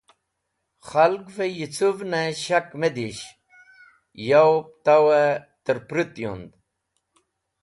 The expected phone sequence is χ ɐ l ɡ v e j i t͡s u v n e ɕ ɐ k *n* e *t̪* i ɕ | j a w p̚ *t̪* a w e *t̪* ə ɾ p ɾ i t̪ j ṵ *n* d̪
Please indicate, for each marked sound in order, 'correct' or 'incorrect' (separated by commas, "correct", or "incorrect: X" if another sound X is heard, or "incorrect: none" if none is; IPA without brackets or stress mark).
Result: incorrect: m, incorrect: d̪, correct, correct, correct